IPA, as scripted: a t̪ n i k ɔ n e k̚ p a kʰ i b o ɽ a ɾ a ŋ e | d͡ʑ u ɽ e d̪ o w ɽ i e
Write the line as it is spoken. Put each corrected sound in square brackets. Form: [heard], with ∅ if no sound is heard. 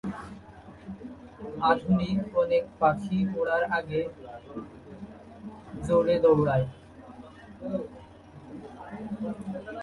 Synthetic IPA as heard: a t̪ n i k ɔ n e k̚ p a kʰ i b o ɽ a ɾ a [ɡ] e | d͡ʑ [o] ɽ e d̪ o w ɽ [a] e